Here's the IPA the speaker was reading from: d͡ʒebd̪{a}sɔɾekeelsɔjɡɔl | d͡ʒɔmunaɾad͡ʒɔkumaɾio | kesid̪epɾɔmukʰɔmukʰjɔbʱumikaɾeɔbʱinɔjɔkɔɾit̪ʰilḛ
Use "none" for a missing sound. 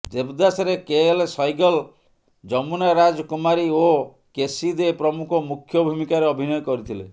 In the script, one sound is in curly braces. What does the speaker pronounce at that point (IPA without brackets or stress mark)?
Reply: a